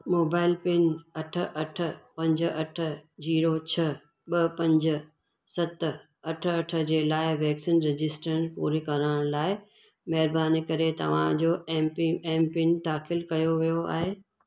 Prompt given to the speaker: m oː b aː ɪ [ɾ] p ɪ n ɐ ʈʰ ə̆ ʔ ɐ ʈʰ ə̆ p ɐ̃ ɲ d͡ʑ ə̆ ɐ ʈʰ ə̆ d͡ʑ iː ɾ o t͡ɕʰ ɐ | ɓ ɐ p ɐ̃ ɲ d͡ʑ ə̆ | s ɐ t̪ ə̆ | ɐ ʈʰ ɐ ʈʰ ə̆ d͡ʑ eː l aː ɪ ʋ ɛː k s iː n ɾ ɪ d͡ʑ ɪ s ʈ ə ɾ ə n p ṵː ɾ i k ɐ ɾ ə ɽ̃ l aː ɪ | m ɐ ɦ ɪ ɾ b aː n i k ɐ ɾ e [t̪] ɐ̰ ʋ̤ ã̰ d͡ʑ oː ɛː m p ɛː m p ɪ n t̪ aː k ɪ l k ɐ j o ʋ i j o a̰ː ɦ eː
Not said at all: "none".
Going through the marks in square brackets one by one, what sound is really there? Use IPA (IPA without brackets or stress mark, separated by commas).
l, t̪